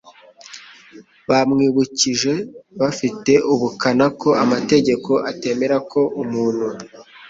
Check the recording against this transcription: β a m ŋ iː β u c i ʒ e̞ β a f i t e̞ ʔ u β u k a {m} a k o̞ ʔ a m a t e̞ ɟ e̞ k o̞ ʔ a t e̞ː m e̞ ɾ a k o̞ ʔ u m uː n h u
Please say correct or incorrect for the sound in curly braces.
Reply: incorrect